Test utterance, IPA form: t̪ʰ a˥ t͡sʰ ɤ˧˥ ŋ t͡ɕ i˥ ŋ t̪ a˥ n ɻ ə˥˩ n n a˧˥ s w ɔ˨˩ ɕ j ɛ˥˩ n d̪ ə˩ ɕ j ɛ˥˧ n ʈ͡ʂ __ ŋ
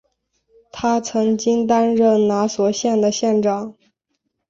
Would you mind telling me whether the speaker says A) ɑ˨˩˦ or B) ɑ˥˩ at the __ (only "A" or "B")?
B